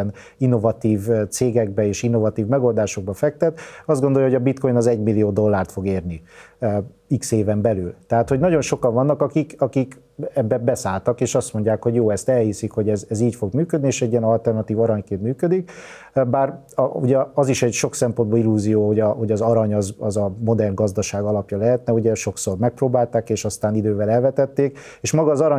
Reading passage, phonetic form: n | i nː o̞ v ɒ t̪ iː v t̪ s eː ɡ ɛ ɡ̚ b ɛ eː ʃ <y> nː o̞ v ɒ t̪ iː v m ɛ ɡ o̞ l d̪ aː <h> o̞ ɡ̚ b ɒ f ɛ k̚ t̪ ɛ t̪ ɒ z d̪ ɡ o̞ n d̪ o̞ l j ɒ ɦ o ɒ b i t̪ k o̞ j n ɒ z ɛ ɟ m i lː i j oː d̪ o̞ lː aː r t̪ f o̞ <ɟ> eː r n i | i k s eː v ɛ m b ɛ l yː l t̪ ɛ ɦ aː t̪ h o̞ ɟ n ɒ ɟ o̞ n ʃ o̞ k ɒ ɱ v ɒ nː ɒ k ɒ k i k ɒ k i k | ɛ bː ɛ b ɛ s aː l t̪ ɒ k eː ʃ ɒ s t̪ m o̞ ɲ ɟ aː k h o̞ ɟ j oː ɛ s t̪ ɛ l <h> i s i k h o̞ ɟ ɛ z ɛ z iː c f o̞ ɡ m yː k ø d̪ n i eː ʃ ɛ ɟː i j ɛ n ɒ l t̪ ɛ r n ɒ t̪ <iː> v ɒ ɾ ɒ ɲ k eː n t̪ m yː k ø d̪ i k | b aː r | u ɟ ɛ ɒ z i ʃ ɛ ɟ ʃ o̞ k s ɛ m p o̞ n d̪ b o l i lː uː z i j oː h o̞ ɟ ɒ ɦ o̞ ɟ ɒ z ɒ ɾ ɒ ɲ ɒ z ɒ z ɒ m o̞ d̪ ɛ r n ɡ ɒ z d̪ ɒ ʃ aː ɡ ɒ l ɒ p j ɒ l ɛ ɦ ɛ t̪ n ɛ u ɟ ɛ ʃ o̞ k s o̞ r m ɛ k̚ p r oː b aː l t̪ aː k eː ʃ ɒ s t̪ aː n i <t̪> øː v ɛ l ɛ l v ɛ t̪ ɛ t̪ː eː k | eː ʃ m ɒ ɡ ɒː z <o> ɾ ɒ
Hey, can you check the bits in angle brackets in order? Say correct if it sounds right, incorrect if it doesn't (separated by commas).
incorrect, incorrect, incorrect, correct, correct, incorrect, incorrect